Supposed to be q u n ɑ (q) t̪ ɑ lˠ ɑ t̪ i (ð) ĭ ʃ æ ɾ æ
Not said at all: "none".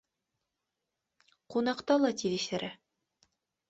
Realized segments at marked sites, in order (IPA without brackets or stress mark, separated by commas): q, ð